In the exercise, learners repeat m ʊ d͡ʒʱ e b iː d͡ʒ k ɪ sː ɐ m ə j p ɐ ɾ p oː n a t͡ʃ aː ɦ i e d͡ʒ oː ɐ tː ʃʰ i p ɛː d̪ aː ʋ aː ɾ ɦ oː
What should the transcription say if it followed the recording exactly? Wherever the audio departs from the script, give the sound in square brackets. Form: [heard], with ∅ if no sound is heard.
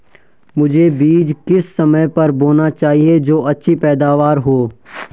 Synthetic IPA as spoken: m ʊ d͡ʒʱ e b iː d͡ʒ k ɪ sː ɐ m ə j p ɐ ɾ [b] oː n a t͡ʃ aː ɦ i e d͡ʒ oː ɐ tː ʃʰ i p ɛː d̪ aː ʋ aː ɾ ɦ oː